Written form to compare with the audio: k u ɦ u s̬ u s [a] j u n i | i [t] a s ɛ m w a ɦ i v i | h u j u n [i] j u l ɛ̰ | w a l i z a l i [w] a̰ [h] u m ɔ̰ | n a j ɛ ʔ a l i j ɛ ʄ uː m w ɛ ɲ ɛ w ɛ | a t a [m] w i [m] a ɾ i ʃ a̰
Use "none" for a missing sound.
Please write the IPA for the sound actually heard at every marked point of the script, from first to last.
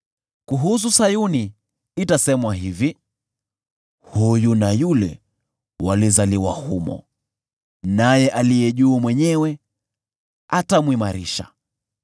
a, t, a, w, h, m, m

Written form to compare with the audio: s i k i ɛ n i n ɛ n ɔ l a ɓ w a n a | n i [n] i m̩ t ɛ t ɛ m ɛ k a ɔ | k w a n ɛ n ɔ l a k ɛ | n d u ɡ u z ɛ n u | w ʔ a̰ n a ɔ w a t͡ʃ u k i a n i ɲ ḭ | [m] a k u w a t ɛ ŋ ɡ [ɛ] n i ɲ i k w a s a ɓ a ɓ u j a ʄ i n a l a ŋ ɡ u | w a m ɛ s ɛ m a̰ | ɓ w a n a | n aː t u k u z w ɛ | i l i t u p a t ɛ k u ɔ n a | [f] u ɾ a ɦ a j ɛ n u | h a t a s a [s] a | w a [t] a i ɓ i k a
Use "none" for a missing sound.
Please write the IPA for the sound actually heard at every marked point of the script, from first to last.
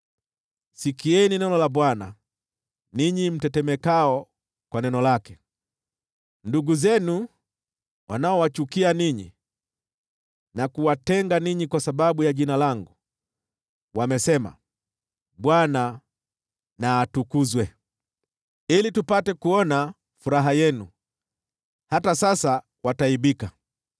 ɲ, n, a, f, s, t

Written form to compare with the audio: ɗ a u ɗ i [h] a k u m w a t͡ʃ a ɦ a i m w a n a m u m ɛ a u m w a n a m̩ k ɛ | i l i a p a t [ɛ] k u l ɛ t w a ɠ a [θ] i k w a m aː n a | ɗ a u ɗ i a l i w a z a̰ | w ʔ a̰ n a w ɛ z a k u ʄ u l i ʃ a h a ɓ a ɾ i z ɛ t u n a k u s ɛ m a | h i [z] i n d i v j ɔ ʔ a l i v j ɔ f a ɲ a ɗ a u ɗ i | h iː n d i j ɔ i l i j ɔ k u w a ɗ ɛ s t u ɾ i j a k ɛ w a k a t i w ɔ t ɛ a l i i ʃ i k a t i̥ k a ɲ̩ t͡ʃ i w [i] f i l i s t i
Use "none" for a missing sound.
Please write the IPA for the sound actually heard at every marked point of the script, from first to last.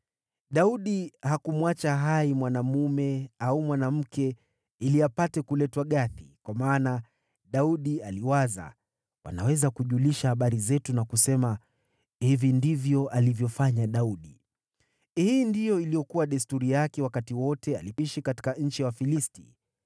h, ɛ, θ, v, a

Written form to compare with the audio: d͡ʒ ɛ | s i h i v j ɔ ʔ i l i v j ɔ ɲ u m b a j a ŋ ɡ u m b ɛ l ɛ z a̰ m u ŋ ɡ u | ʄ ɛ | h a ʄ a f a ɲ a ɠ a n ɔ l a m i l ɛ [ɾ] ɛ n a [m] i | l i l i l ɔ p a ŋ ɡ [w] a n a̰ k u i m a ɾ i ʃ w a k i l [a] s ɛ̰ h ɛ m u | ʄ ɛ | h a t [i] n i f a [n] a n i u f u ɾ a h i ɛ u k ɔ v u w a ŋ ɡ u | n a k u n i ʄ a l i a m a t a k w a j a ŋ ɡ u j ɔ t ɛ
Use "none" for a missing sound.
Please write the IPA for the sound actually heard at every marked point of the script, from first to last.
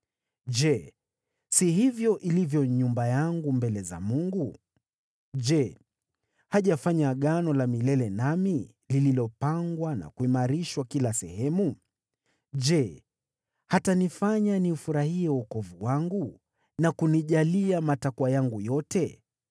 l, m, w, a, a, ɲ

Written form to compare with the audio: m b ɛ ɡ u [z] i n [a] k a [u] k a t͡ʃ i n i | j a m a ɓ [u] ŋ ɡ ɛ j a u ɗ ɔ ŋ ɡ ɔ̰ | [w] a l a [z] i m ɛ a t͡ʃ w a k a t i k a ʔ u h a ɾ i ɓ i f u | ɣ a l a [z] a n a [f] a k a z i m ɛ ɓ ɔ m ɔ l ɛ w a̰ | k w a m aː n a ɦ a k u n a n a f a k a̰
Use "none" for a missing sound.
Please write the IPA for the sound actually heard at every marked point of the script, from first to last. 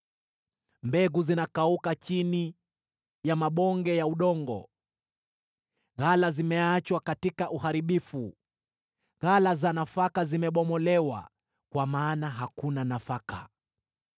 z, a, u, ɔ, ɣ, z, z, f

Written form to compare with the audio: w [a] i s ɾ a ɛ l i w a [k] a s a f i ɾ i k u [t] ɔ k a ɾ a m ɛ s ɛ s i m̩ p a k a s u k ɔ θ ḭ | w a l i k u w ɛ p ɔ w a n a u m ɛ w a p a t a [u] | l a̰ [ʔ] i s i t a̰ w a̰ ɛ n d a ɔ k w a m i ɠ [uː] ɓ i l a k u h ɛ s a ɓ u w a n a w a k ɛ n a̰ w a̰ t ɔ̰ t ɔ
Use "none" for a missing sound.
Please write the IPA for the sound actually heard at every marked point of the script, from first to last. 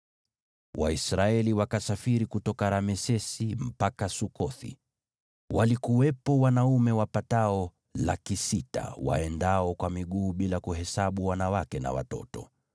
a, k, t, ɔ, k, uː

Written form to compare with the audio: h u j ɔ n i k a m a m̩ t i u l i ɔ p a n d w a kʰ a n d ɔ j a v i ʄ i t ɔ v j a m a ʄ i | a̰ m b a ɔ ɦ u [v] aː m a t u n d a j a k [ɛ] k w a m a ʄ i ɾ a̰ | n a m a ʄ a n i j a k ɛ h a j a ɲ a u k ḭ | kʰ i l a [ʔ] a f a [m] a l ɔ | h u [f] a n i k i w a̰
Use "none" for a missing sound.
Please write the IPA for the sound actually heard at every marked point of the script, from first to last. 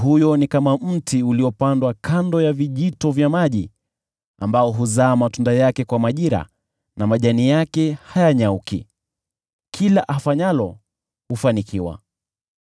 z, ɛ, ʔ, ɲ, f

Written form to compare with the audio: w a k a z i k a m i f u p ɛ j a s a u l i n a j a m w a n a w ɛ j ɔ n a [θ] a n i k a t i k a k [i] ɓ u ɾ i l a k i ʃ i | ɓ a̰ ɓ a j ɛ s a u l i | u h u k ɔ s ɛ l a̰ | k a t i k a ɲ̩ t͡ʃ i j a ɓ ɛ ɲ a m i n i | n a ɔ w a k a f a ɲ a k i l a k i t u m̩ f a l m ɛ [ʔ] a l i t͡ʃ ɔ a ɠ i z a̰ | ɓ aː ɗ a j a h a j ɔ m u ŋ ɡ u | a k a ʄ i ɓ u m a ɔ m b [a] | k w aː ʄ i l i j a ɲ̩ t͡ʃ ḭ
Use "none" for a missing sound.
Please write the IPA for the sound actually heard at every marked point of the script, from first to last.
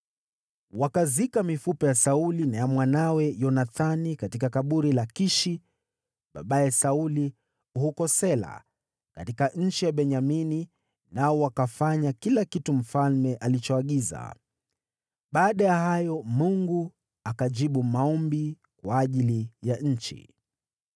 θ, a, ʔ, i

